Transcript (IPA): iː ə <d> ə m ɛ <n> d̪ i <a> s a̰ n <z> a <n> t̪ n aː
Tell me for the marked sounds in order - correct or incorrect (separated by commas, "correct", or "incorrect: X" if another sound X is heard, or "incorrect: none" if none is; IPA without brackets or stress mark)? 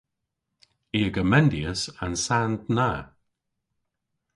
incorrect: ɡ, correct, incorrect: ə, incorrect: s, correct